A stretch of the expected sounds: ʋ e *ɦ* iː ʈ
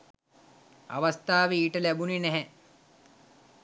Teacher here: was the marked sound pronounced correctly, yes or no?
no